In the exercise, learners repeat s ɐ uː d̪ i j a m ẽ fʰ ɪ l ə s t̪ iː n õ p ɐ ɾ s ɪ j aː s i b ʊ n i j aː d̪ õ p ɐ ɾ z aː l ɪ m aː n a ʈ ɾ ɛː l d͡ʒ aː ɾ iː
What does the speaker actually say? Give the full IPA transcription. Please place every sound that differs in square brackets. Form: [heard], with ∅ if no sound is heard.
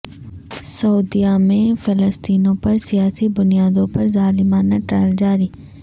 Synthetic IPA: s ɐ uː d̪ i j a m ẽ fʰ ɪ l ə s t̪ iː n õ p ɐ ɾ s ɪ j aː s i b ʊ n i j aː d̪ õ p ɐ ɾ z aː l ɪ m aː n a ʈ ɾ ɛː l d͡ʒ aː ɾ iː